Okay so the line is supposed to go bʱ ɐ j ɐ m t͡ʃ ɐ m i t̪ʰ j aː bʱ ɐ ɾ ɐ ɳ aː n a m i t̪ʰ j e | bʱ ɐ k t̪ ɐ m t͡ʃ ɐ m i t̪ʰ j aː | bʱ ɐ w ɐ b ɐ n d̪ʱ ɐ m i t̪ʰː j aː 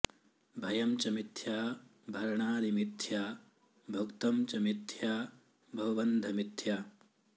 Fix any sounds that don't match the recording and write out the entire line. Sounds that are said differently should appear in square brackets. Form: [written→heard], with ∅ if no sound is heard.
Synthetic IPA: bʱ ɐ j ɐ m t͡ʃ ɐ m i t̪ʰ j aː bʱ ɐ ɾ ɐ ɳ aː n [a→i] m i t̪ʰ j [e→a] | bʱ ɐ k t̪ ɐ m t͡ʃ ɐ m i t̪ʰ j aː | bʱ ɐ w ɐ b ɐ n d̪ʱ ɐ m i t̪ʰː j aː